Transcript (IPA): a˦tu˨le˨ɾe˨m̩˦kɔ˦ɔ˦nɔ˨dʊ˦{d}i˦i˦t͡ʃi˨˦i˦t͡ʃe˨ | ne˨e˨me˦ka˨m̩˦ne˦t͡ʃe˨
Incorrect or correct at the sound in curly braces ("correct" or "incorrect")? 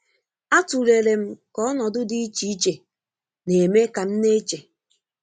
correct